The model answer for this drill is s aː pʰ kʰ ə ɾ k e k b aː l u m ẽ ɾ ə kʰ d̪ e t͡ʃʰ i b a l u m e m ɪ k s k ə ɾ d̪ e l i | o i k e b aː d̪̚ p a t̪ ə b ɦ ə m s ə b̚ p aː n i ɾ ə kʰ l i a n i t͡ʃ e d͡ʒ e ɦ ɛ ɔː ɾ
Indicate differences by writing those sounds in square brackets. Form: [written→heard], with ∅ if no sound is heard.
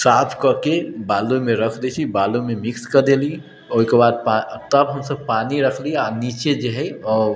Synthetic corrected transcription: s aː pʰ [kʰ→k] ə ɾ k e [k→∅] b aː l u m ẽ ɾ ə kʰ d̪ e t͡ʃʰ i b a l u m e m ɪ k s k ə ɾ d̪ e l i | o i k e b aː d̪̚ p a t̪ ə b ɦ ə m s ə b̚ p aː n i ɾ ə kʰ l i a n i t͡ʃ e d͡ʒ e ɦ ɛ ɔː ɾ